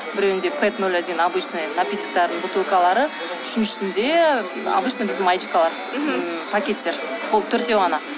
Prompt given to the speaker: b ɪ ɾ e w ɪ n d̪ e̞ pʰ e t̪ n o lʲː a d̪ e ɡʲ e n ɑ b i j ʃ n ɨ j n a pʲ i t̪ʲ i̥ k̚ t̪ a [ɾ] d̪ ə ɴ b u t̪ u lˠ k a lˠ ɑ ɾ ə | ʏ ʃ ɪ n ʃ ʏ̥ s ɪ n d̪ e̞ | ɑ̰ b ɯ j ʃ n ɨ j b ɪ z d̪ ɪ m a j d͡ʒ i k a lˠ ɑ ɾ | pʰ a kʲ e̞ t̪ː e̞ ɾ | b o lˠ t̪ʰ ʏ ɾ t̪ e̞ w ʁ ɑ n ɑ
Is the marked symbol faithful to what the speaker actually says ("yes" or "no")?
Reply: yes